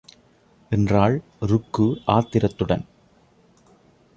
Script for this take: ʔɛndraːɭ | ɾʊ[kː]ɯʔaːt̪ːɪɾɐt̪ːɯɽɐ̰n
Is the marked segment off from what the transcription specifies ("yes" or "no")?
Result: no